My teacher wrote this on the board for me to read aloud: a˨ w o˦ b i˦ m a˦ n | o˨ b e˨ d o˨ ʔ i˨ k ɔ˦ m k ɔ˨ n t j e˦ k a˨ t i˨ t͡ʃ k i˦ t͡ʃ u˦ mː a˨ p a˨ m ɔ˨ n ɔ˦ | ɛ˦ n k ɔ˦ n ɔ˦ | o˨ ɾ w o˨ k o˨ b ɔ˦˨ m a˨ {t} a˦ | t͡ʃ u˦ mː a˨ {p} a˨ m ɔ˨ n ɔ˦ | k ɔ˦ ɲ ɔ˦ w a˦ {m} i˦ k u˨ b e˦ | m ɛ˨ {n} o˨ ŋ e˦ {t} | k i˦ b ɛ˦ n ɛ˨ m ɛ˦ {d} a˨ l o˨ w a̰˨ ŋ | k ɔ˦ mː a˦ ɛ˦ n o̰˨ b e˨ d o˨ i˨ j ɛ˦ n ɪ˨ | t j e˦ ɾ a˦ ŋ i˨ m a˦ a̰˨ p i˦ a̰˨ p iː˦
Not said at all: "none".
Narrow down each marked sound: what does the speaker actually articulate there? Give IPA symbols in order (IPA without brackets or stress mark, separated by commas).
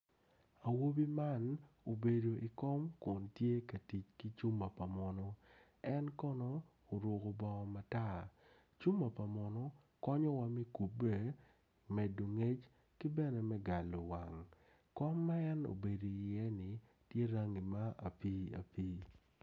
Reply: t, p, m, d, t͡ʃ, ɡ